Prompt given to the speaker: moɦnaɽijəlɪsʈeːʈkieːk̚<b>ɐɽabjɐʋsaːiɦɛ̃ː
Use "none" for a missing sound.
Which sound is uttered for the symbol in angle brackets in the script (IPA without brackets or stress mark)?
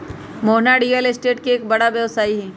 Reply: b